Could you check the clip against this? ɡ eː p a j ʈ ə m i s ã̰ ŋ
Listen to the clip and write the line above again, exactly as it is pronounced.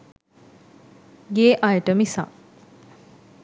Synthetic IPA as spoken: ɡ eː ʔ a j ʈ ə m i s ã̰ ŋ